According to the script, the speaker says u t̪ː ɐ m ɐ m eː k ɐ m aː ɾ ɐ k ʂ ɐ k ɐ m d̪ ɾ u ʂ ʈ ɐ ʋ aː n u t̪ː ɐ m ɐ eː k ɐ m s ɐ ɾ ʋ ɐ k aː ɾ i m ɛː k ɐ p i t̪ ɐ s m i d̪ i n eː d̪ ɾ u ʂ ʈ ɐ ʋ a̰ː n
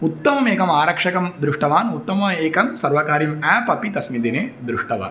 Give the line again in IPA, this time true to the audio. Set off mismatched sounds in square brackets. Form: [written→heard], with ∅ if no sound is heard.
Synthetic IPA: u t̪ː ɐ m ɐ m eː k ɐ m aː ɾ ɐ k ʂ ɐ k ɐ m d̪ ɾ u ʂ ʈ ɐ ʋ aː n u t̪ː ɐ m ɐ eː k ɐ m s ɐ ɾ ʋ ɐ k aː ɾ i m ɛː [k→p] ɐ p i t̪ ɐ s m i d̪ i n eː d̪ ɾ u ʂ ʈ ɐ ʋ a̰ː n

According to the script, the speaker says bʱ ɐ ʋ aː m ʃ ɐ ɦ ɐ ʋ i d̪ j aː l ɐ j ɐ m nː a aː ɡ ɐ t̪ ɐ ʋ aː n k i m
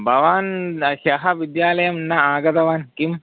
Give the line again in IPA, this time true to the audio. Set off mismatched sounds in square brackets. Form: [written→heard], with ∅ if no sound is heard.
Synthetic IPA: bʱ ɐ ʋ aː [m→n] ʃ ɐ ɦ ɐ ʋ i d̪ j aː l ɐ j ɐ m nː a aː ɡ ɐ t̪ ɐ ʋ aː n k i m

